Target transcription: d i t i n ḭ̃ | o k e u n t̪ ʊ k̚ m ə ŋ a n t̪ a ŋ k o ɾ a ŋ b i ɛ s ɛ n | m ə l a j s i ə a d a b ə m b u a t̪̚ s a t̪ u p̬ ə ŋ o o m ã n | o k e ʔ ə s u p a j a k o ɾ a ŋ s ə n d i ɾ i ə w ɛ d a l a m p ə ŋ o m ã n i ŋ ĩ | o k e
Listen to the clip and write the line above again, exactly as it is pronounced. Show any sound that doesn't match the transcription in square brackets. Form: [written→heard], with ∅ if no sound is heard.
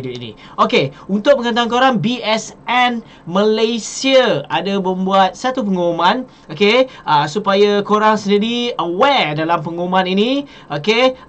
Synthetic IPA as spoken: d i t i n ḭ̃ | o k e u n t̪ ʊ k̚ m ə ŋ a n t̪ a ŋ k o ɾ a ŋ b i ɛ s ɛ n | m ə l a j s i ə a d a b ə m b u a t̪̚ s a t̪ u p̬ ə ŋ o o m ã n | o k e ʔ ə s u p a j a k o ɾ a ŋ s ə n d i ɾ i ə w ɛ d a l a m p ə ŋ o m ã n i [ŋ→n] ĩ | o k e